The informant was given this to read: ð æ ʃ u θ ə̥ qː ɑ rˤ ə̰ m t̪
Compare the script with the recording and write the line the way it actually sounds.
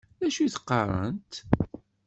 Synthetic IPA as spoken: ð æ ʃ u θ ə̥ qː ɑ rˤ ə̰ n t̪